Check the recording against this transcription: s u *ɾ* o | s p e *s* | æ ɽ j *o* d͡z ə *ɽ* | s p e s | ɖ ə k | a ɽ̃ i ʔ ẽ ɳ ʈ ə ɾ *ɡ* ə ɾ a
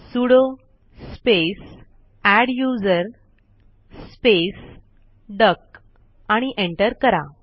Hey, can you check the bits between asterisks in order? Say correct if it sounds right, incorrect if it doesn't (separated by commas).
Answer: incorrect, correct, incorrect, incorrect, incorrect